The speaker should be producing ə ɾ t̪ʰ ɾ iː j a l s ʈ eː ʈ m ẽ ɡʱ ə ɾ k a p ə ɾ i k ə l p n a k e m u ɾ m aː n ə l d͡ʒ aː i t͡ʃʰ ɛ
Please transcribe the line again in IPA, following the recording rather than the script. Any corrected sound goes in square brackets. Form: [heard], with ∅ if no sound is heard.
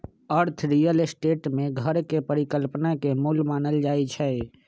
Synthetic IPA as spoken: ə ɾ t̪ʰ ɾ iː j [ə] l s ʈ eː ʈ m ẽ ɡʱ ə ɾ k [e] p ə ɾ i k ə l p n a k e m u [l] m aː n ə l d͡ʒ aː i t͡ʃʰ ɛ